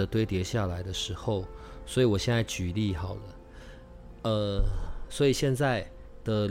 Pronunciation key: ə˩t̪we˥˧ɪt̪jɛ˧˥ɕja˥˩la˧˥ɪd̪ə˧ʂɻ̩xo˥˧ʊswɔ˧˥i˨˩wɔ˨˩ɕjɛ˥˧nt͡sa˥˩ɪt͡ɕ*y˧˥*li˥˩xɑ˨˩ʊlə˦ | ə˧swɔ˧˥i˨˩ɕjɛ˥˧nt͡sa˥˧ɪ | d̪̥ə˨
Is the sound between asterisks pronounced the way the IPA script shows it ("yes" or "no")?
no